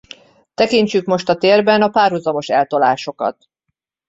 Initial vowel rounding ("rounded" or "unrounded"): unrounded